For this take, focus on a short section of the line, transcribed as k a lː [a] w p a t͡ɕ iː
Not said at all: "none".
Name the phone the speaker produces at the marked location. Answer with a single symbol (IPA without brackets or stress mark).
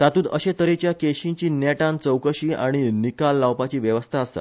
a